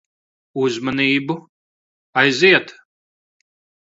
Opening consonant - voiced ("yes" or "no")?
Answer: yes